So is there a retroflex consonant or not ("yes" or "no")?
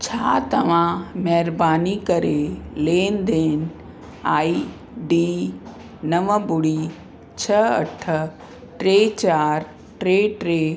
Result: yes